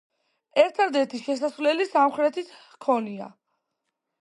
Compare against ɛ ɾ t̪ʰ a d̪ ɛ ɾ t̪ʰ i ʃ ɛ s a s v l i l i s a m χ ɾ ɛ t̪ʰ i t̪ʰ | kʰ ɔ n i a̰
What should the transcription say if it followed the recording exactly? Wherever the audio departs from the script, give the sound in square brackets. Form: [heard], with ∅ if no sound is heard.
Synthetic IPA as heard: ɛ ɾ t̪ʰ a d̪ ɛ ɾ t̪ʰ i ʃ ɛ s a s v l [ɛ] l i s a m χ ɾ ɛ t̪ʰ i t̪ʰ | kʰ ɔ n i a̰